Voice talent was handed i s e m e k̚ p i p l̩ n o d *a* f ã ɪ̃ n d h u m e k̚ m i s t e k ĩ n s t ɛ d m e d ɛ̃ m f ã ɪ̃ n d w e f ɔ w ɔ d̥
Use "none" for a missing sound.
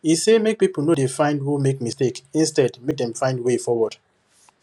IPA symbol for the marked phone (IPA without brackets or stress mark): e